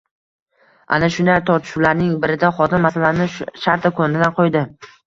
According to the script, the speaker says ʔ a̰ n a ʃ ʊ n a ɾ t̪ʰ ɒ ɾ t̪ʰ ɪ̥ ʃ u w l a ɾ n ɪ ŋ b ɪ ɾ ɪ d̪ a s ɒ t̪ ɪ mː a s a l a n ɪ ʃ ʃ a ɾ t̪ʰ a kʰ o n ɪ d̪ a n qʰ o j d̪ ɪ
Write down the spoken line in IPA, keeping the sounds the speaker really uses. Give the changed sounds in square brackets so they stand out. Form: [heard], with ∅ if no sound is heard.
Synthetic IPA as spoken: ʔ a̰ n a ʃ ʊ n a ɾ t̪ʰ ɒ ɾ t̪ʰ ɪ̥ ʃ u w l a ɾ n ɪ ŋ b ɪ ɾ ɪ d̪ a [χ] ɒ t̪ ɪ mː a s a l a n ɪ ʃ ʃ a ɾ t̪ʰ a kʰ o n ɪ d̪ a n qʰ o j d̪ ɪ